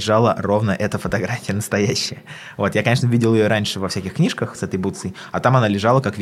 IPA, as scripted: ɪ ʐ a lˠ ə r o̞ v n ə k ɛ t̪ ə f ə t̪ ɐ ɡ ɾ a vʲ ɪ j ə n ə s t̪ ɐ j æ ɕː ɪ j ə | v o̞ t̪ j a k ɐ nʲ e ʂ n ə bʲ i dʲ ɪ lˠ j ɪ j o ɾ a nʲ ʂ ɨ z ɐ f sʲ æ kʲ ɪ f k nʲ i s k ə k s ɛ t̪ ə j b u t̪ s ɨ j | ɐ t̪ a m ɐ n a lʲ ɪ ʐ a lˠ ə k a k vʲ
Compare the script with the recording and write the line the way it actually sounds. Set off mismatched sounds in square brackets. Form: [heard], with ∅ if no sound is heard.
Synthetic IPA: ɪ ʐ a lˠ ə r o̞ v n ə [ʔ] ɛ t̪ ə f ə t̪ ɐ ɡ ɾ a [fʲ] ɪ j ə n ə s t̪ ɐ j æ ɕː ɪ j ə | v o̞ t̪ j a k ɐ nʲ e ʂ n ə [vʲ] i dʲ ɪ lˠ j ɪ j o ɾ a nʲ ʂ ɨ [v] ɐ f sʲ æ kʲ ɪ [x] k nʲ i [ʂ] k ə [x] s ɛ t̪ ə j b u t̪ s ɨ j | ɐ t̪ a m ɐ n a lʲ ɪ ʐ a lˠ ə k a k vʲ